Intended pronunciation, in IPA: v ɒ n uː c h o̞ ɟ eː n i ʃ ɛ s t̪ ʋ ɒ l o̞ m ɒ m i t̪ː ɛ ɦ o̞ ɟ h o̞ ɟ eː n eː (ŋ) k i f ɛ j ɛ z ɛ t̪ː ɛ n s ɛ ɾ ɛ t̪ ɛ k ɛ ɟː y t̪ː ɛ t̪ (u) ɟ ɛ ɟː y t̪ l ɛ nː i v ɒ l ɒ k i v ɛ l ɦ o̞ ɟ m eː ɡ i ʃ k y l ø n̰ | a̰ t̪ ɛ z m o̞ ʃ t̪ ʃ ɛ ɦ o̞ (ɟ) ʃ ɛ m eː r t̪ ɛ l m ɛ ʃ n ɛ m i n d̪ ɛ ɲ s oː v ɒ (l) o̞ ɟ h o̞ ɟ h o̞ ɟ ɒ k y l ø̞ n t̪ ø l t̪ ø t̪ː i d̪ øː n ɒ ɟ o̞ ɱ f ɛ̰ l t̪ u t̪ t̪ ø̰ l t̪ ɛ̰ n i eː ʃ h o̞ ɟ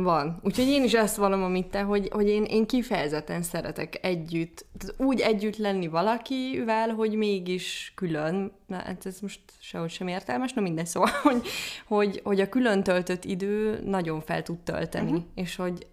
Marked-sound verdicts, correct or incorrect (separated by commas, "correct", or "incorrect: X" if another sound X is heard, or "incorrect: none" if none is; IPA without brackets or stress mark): correct, incorrect: uː, incorrect: c, correct